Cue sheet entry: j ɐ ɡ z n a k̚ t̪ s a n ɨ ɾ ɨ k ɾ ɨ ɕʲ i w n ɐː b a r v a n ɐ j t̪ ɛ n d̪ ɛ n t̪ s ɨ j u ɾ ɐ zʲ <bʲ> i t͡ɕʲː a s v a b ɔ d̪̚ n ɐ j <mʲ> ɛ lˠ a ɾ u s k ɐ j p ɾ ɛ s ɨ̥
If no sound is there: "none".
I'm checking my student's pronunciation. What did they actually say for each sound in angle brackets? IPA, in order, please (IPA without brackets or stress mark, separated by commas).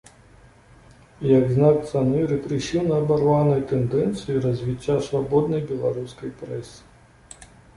vʲ, bʲ